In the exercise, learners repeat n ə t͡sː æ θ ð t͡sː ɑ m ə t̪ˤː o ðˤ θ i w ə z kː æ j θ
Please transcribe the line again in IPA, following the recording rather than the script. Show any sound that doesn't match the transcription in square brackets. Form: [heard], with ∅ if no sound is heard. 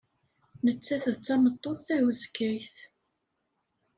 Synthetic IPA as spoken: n ə t͡sː æ θ ð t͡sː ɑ m ə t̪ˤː o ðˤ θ [æ] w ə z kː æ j θ